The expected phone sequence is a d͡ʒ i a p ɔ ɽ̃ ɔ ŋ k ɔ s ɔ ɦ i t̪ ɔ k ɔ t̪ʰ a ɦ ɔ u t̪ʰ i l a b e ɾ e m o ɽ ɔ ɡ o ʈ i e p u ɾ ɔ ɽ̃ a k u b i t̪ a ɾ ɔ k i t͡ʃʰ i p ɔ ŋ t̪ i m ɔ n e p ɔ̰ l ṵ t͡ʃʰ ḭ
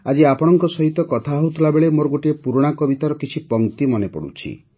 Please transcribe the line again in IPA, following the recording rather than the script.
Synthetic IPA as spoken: a d͡ʒ i a p ɔ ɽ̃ ɔ ŋ k ɔ s ɔ ɦ i t̪ ɔ k ɔ t̪ʰ a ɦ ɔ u t̪ʰ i l a b e ɭ e m o ɾ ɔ ɡ o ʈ i e p u ɾ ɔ ɽ̃ a k ɔ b i t̪ a ɾ ɔ k i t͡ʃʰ i p ɔ ŋ t̪ i m ɔ n e p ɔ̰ ɽ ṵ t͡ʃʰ ḭ